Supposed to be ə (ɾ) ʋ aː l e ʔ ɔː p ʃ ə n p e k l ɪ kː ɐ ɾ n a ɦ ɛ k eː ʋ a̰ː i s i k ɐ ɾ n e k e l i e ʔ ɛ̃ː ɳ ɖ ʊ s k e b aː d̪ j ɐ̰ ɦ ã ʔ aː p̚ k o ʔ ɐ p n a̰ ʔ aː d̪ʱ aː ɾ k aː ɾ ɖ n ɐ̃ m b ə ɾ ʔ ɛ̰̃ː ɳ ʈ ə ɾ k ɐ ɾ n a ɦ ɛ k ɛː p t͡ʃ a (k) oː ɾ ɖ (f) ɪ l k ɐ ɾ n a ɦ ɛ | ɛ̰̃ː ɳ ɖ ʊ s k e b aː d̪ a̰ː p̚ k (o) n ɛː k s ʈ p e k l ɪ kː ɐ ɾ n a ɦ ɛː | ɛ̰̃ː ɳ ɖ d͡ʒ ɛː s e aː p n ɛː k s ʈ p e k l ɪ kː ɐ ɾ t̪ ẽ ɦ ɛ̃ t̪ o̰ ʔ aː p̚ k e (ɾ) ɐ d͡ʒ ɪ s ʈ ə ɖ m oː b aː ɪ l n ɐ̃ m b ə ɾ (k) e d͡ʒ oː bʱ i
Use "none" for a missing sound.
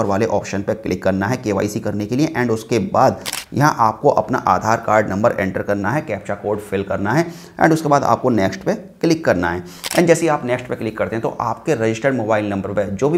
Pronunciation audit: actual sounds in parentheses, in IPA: ɾ, k, f, o, ɾ, p

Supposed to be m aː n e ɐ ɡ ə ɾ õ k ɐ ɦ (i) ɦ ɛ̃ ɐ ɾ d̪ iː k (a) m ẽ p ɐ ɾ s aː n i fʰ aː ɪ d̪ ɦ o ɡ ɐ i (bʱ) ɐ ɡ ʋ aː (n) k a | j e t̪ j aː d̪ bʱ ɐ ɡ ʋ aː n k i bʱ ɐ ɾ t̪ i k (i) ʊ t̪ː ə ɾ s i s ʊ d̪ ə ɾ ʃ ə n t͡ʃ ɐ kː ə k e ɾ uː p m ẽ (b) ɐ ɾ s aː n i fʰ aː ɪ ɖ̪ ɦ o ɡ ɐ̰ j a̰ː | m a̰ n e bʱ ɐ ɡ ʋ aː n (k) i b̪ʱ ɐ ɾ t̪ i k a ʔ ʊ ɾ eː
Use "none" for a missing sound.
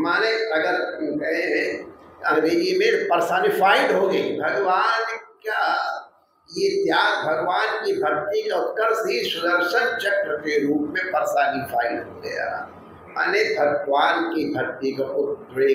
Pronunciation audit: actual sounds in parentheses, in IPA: e, i, bʱ, n, a, p, k

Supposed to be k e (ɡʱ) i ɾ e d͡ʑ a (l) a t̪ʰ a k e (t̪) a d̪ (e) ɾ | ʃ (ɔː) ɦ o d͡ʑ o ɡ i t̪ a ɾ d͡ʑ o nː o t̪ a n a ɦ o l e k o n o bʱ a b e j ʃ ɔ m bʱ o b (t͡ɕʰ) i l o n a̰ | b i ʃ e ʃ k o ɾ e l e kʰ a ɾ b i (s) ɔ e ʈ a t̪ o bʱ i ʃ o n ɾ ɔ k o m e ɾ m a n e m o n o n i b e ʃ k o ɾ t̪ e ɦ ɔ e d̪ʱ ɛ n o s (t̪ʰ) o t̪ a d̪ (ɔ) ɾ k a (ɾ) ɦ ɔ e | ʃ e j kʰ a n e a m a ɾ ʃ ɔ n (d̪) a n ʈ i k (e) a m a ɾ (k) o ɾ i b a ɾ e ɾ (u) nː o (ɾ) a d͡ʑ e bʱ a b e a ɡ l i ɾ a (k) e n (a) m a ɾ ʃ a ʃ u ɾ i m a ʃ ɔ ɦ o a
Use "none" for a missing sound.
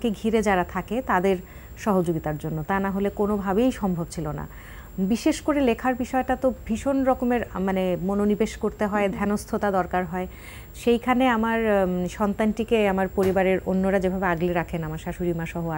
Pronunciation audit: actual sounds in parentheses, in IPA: ɡʱ, ɾ, t̪, e, ɔ, t͡ɕʰ, ʃ, t̪ʰ, ɔ, ɾ, t̪, e, p, o, ɾ, kʰ, a

